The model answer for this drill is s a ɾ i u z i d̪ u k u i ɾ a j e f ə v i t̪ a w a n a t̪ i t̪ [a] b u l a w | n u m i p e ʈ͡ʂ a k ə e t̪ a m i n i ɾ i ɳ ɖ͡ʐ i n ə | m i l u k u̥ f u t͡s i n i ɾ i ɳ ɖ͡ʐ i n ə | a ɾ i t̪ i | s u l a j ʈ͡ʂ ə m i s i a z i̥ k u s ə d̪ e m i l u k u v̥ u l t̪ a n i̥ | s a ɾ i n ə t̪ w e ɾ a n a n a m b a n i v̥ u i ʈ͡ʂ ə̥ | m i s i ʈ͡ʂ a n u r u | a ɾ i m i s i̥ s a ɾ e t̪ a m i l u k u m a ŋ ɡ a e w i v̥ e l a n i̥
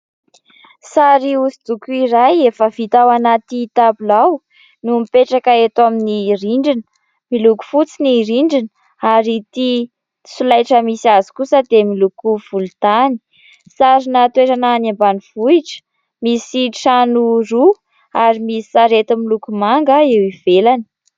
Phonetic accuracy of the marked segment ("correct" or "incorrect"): correct